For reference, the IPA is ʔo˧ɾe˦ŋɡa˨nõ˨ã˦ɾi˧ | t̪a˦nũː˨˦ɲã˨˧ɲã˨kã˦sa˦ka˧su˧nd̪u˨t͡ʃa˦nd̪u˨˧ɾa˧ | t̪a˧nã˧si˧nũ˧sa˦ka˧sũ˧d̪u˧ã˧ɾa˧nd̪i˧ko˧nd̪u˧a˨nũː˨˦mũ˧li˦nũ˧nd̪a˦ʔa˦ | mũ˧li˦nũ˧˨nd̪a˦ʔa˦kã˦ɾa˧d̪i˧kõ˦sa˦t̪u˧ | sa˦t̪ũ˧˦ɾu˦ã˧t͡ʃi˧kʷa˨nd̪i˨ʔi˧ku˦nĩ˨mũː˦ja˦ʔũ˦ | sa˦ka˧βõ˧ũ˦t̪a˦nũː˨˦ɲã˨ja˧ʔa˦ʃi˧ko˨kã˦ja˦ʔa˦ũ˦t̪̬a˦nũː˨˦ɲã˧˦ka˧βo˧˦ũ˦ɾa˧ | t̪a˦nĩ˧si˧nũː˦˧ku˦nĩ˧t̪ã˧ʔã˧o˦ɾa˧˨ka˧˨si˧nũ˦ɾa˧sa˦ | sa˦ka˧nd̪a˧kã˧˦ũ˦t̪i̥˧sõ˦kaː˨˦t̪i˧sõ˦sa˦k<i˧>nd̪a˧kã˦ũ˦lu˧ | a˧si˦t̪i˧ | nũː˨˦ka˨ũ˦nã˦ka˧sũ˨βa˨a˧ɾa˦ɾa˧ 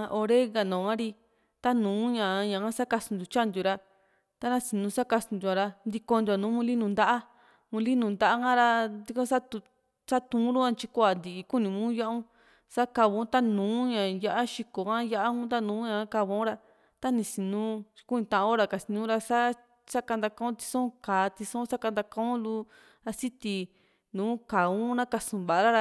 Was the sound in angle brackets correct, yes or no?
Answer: no